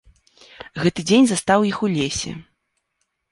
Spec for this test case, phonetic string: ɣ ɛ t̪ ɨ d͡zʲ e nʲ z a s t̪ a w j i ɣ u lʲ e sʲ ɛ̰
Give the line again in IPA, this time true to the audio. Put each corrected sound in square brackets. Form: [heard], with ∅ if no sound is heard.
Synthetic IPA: ɣ ɛ t̪ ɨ d͡zʲ e nʲ z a s t̪ a w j i [x] u lʲ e sʲ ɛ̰